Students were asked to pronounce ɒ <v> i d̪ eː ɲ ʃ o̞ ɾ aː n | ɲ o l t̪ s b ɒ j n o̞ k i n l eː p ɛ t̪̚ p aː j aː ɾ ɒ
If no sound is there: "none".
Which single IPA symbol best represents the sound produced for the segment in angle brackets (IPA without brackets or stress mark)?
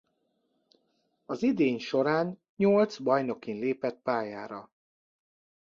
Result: z